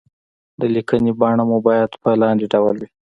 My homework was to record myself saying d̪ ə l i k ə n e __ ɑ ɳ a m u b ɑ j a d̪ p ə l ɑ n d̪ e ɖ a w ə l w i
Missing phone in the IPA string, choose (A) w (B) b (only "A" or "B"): B